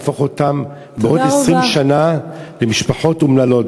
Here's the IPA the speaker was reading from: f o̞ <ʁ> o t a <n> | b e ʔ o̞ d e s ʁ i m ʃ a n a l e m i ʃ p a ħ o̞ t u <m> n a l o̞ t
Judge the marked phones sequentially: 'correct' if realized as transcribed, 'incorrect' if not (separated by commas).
incorrect, incorrect, correct